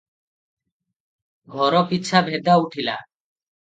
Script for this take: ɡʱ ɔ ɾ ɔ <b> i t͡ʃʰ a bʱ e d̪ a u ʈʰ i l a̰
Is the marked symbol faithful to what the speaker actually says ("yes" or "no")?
no